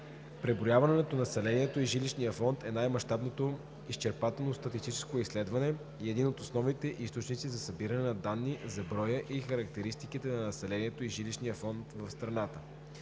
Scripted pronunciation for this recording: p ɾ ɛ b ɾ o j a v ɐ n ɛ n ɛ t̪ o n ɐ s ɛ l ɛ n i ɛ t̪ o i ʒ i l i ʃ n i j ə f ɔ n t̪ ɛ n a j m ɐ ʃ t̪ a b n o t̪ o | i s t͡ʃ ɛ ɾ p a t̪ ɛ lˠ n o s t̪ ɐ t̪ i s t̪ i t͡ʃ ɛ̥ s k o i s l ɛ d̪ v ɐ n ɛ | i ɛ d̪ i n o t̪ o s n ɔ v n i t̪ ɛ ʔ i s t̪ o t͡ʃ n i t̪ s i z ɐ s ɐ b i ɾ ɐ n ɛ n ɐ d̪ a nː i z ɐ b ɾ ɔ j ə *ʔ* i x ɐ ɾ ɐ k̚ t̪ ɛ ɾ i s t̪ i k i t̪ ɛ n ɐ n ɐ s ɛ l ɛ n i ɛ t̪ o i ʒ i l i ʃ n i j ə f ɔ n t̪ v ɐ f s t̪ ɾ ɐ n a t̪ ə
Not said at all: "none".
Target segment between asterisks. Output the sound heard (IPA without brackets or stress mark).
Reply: ʔ